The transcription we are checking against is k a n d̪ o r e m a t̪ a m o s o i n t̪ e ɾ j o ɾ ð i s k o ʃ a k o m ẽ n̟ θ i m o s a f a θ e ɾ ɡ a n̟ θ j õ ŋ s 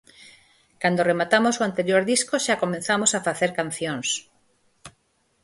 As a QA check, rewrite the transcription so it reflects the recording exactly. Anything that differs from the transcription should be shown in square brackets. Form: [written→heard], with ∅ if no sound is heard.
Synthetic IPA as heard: k a n d̪ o r e m a t̪ a m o s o [i→a] n t̪ e ɾ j o ɾ ð i s k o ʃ a k o m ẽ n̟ θ [i→a] m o s a f a θ e ɾ [ɡ→k] a n̟ θ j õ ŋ s